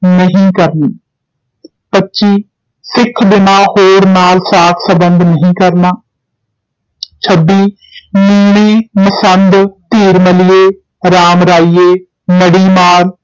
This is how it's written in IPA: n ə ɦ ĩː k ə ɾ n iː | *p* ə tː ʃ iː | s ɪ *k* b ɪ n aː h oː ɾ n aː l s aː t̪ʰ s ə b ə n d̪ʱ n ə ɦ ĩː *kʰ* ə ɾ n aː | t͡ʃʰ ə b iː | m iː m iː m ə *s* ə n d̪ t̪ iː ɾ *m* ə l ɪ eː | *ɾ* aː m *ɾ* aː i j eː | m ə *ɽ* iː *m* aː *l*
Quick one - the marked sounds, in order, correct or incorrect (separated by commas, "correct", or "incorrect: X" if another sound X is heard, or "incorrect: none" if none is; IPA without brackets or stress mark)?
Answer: correct, incorrect: kʰ, incorrect: k, correct, correct, correct, correct, correct, correct, incorrect: ɾ